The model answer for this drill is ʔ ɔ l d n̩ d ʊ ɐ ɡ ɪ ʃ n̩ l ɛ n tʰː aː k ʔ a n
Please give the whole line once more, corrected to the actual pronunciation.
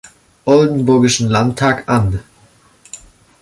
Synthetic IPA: ʔ ɔ l d n̩ b ʊ ɐ ɡ ɪ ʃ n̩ l a n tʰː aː k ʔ a n